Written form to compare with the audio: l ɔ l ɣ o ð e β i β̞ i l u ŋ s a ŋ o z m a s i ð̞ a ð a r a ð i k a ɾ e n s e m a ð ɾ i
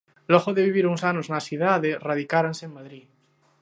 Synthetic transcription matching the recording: l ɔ ɣ o ð e β i β̞ i ɾ u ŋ s a n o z n a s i ð̞ a ð e r a ð i k a ɾ a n s e m a ð ɾ i